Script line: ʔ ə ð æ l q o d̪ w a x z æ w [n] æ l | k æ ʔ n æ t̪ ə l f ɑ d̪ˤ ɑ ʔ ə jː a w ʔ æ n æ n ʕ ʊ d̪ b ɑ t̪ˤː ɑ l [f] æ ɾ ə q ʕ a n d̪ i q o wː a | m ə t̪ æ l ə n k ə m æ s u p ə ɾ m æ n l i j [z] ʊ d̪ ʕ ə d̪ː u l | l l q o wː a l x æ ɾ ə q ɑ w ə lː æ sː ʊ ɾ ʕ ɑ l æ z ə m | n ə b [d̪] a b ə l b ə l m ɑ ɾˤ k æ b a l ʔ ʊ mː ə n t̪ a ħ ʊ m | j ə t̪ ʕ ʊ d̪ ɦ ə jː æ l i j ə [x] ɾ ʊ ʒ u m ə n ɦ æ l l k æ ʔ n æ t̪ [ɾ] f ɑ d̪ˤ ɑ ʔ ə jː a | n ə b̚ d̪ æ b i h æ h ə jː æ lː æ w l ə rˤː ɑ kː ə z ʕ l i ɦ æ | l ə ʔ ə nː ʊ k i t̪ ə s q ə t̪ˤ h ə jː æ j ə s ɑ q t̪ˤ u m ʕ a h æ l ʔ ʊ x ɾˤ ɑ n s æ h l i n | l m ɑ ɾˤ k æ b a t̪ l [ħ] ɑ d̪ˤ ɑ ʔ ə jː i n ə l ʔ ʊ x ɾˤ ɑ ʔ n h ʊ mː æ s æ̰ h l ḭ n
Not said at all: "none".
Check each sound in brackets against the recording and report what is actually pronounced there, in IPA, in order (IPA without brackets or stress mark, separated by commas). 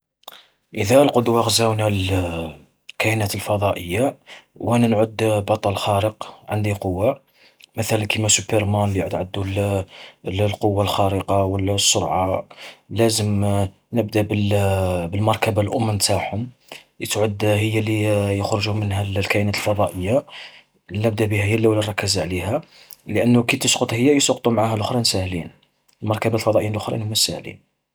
n, x, ʕ, d̪, x, l, f